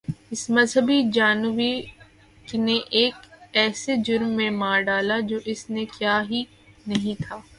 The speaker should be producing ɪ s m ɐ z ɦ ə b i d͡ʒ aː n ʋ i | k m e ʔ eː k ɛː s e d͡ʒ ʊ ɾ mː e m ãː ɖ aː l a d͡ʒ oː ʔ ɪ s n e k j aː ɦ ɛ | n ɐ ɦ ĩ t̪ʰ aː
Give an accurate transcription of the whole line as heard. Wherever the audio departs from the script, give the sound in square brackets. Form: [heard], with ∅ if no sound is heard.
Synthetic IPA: ɪ s m ɐ z ɦ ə b i d͡ʒ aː n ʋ i | k [n] e ʔ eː k ɛː s e d͡ʒ ʊ ɾ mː [ẽ] m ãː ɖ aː l a d͡ʒ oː ʔ ɪ s n e k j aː ɦ [i] | n ɐ ɦ ĩ t̪ʰ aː

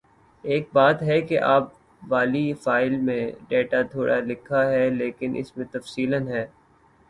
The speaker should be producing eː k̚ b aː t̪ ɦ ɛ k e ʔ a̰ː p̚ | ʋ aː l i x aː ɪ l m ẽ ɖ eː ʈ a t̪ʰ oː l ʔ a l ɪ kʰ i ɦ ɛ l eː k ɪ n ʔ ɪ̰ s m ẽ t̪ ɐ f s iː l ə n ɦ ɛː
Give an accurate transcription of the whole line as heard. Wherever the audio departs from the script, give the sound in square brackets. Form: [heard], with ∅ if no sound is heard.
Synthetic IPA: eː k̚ b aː t̪ ɦ ɛ k e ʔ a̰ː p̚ | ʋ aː l i [f] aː ɪ l m ẽ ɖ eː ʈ a t̪ʰ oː [ɽ] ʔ a l ɪ kʰ [a] ɦ ɛ l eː k ɪ n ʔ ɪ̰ s m ẽ t̪ ɐ f s iː l ə n ɦ ɛː

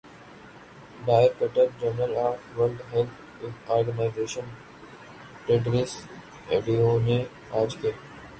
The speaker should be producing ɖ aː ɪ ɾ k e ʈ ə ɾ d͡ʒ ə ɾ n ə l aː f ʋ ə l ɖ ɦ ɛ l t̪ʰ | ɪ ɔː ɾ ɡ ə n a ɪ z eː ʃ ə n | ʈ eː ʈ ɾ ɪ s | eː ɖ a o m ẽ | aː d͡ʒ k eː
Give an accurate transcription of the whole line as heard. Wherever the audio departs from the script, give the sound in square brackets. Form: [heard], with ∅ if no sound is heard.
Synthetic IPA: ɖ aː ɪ ɾ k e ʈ ə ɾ d͡ʒ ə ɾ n ə l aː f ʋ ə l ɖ ɦ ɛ l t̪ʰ | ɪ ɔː ɾ ɡ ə n a ɪ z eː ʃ ə n | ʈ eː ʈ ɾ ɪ s | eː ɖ [i] o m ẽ | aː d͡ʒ k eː

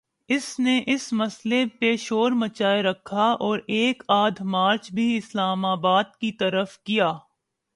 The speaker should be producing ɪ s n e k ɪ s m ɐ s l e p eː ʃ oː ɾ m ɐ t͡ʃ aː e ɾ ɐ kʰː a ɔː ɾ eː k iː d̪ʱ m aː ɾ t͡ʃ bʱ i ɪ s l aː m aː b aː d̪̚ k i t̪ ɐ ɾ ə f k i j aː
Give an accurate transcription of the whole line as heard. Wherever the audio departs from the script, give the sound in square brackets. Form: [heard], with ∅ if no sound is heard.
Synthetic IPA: ɪ s n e [ʔ] ɪ s m ɐ s l e p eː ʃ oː ɾ m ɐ t͡ʃ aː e ɾ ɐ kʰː a ɔː ɾ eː k [aː] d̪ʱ m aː ɾ t͡ʃ bʱ i ɪ s l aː m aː b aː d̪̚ k i t̪ ɐ ɾ ə f k i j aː

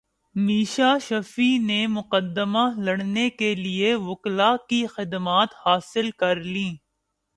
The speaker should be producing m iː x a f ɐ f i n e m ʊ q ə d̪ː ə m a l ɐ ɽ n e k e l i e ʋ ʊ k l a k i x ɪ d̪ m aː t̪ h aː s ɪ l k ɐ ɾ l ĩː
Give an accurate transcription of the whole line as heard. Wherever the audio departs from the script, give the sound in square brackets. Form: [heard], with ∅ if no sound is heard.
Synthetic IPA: m iː [ʃ] a [ʃ] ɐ f i n e m ʊ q ə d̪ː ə m a l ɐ ɽ n e k e l i e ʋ ʊ k l a k i x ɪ d̪ m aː t̪ h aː s ɪ l k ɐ ɾ l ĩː

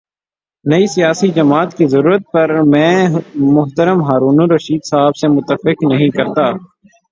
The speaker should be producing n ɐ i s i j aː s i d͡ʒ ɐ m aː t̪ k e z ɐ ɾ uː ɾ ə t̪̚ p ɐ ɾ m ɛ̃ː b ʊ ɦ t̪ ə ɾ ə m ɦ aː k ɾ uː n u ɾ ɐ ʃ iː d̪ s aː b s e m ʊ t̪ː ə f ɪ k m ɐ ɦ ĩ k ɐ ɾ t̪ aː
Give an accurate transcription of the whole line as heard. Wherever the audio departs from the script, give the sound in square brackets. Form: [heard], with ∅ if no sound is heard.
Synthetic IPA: n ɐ i s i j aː s i d͡ʒ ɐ m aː t̪ k [i] z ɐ ɾ uː ɾ ə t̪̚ p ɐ ɾ m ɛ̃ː [m] ʊ ɦ t̪ ə ɾ ə m ɦ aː [∅] ɾ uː n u ɾ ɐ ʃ iː d̪ s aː b s e m ʊ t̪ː ə f ɪ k [n] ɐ ɦ ĩ k ɐ ɾ t̪ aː

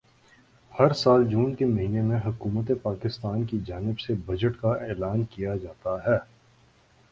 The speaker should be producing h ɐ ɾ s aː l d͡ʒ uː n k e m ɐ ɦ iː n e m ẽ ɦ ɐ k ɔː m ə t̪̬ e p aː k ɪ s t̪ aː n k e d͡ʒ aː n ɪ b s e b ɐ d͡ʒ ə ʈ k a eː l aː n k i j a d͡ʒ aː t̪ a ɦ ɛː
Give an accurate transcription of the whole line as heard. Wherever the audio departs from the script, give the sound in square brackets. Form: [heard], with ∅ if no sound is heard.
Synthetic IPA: h ɐ ɾ s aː l d͡ʒ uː n k e m ɐ ɦ iː n e m ẽ ɦ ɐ k [uː] m ə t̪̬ e p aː k ɪ s t̪ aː n k [i] d͡ʒ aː n ɪ b s e b ɐ d͡ʒ ə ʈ k a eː l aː n k i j a d͡ʒ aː t̪ a ɦ ɛː

